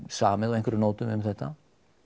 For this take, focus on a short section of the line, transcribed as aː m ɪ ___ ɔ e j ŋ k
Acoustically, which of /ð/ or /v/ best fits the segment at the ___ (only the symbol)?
ð